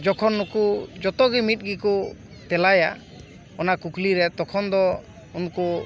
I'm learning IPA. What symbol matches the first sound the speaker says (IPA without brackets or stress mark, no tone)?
d͡ʒ